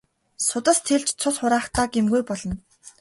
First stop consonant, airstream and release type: plain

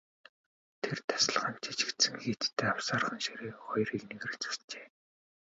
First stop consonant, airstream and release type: aspirated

